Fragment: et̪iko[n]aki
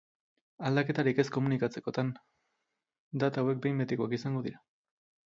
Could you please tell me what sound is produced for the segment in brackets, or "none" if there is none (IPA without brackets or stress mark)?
none